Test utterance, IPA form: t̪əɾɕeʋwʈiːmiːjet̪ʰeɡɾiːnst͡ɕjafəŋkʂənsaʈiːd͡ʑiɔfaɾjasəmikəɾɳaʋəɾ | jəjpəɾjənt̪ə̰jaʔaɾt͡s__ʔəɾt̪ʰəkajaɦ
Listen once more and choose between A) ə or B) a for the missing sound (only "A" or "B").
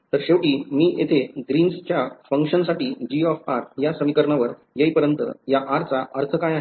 B